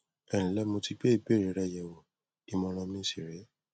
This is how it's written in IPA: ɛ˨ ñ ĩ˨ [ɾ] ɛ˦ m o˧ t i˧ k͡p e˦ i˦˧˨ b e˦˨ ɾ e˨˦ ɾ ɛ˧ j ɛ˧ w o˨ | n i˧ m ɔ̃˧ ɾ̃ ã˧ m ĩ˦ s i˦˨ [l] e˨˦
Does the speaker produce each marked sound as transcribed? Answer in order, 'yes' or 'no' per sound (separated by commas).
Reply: no, no